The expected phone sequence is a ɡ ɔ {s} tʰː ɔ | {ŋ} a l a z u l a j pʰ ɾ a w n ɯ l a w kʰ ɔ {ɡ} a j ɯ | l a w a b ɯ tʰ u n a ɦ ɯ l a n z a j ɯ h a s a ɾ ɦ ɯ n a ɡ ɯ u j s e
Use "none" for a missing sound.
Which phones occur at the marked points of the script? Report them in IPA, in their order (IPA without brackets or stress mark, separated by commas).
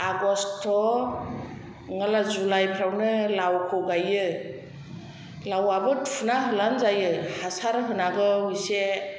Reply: s, ŋ, ɡ